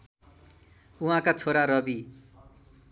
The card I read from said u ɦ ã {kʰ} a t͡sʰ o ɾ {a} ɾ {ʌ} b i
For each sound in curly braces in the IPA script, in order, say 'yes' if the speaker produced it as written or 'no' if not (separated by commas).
no, yes, yes